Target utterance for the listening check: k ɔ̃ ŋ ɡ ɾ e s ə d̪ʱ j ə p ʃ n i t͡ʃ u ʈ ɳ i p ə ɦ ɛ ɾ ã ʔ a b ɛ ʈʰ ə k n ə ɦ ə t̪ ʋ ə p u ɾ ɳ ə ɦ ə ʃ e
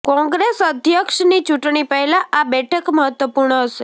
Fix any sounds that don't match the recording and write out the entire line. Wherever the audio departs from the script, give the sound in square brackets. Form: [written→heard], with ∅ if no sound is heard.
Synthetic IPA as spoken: k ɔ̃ ŋ ɡ ɾ e s ə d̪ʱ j ə [p→k] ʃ n i t͡ʃ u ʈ ɳ i p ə ɦ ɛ [ɾ→l] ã ʔ a b ɛ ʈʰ ə k [n→m] ə ɦ ə t̪ ʋ ə p u ɾ ɳ ə ɦ ə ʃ e